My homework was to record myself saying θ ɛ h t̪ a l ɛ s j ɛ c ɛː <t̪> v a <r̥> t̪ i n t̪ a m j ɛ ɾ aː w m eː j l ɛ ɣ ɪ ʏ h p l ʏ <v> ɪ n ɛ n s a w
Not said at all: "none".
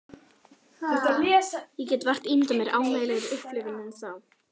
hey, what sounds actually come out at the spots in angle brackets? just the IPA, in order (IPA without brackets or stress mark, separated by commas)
t̪, r̥, v